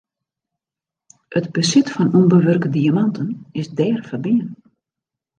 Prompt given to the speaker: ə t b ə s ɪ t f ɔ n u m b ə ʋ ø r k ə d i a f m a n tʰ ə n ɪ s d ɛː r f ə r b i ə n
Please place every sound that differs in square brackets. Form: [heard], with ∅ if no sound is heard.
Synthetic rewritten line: ə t b ə s ɪ t f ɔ n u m b ə ʋ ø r k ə d i a [∅] m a n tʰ ə n ɪ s d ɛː r f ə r b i ə n